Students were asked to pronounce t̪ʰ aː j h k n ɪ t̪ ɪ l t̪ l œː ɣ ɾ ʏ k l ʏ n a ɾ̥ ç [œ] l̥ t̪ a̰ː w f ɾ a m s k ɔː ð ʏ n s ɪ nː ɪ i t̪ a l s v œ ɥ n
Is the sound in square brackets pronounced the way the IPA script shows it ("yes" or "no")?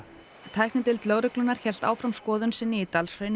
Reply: no